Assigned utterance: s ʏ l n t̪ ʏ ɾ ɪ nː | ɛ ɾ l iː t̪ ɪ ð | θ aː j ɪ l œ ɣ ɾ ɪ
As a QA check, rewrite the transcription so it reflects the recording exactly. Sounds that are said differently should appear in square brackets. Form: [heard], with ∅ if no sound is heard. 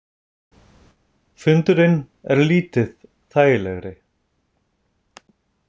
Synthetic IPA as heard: [f] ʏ [∅] n t̪ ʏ ɾ ɪ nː | ɛ ɾ l iː t̪ ɪ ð | θ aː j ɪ l [ɛ] ɣ ɾ ɪ